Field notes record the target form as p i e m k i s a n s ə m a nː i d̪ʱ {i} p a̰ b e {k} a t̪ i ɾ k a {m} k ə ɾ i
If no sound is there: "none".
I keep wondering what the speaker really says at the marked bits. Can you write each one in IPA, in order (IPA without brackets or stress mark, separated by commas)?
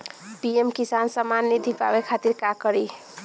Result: i, kʰ, none